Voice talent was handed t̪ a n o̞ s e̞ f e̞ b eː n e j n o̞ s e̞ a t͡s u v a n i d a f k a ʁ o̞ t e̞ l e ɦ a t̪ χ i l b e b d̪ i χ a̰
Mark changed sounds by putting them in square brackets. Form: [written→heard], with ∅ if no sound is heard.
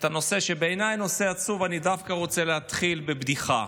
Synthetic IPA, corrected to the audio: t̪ a n o̞ s e̞ [f→ʃ] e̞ b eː n [e→a] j n o̞ s e̞ a t͡s u v a n i d a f k a ʁ o̞ [t→t͡s] e̞ l e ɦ a t̪ χ i l b e b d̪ i χ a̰